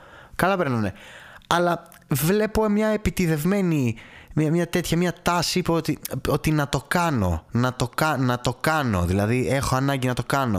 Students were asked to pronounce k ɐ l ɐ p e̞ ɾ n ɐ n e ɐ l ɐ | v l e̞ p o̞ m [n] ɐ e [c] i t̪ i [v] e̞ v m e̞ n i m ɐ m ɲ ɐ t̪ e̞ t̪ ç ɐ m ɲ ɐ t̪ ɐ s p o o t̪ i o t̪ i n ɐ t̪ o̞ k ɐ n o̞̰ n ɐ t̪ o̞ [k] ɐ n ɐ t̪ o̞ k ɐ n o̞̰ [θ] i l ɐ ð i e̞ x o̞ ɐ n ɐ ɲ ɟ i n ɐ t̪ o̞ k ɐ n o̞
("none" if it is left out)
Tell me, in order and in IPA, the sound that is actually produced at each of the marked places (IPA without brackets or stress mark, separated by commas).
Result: ɲ, p, ð, k, ð